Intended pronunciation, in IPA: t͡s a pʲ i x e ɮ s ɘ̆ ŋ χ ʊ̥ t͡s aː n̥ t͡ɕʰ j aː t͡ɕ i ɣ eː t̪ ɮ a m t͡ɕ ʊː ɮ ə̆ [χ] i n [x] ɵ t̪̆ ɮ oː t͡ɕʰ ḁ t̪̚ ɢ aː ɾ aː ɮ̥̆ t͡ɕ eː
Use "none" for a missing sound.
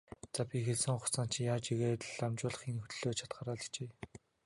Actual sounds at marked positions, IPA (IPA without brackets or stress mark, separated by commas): χ, x